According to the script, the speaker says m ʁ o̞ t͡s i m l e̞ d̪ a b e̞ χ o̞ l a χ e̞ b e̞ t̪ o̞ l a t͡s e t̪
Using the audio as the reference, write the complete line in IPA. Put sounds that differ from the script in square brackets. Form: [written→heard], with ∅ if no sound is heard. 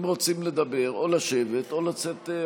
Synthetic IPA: m ʁ o̞ t͡s i m l e̞ d̪ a b e̞ [χ→ʁ] o̞ l a [χ→ʃ] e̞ [b→v] e̞ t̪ o̞ l a t͡s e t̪

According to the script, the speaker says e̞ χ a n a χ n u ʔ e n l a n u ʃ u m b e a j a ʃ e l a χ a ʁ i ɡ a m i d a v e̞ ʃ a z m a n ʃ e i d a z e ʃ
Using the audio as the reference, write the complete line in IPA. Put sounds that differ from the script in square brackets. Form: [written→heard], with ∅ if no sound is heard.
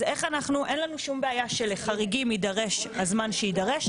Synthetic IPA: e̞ χ a n a χ n u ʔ e n l a n u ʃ u m b e a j a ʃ e l [a→e] χ a ʁ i ɡ [a→i] m i d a [v→ʁ] e̞ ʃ a z m a n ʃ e i d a [z→ʁ] e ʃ

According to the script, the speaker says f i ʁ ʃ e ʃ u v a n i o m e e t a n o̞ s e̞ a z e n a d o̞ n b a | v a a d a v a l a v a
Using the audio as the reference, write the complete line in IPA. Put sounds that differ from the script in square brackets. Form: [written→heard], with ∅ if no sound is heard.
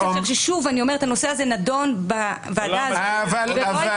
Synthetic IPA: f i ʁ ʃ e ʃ u v a n i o m e e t a n o̞ s e̞ a z e n a d o̞ n b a | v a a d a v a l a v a

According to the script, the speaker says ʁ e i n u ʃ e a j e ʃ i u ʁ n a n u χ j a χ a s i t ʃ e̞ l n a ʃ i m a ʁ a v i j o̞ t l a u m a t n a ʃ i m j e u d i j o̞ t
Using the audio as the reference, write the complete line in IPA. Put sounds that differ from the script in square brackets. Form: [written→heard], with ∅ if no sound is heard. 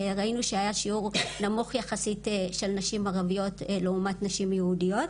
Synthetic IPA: ʁ [e→a] i n u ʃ e a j [e→a] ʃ i u ʁ n a [n→m] u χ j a χ a s i t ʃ e̞ l n a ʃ i m a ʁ a v i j o̞ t l [a→e] u m a t n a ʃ i m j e u d i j o̞ t

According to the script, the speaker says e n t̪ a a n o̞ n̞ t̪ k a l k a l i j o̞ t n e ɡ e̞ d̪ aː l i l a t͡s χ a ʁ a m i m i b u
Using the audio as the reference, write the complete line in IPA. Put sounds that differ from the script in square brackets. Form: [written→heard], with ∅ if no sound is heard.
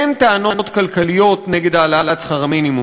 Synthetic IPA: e n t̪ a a n o̞ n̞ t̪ k a l k a l i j o̞ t n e ɡ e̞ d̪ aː l [i→a] l a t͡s χ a ʁ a m i [m→n] i [b→m] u

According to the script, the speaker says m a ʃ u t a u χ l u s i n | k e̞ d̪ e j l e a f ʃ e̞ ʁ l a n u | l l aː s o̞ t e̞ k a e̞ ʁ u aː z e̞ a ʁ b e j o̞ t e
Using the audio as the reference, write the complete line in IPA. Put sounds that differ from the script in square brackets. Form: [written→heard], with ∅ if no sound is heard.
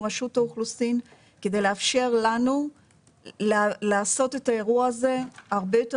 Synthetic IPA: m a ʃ u t a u χ l u s i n | k e̞ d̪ e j l e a f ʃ e̞ ʁ l a n u | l l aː s o̞ t e̞ [k→t] a e̞ ʁ u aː z e̞ a ʁ b e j o̞ t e

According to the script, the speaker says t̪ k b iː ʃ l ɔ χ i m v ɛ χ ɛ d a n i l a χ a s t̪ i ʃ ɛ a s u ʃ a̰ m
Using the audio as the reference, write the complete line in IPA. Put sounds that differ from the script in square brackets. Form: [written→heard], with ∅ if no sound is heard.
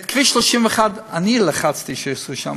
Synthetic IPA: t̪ k [b→v] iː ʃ l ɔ [χ→ʃ] i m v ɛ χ [ɛ→a] d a n i l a χ a [s→t͡s] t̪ i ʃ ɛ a s u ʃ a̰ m

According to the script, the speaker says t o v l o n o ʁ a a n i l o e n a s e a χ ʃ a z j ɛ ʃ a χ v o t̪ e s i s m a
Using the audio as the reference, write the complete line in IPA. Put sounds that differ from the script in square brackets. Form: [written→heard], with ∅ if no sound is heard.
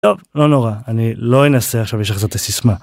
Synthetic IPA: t o v l o n o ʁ a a n i l o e n a s e a χ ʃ a [z→v] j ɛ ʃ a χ [v→z] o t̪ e s i s m a

